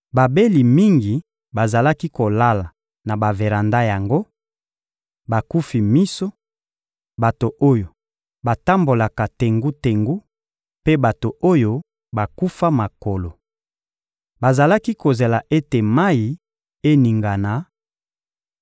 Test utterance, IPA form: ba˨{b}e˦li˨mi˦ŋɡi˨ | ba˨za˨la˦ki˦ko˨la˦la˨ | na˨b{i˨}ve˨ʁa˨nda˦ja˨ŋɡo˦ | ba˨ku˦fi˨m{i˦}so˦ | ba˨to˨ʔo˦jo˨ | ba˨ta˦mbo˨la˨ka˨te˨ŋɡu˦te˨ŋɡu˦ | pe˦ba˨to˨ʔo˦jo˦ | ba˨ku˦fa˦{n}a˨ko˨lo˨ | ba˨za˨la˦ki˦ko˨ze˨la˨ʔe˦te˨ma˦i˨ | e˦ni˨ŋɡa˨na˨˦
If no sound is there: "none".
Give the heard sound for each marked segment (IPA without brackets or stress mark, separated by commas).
b, a˨, i˦, m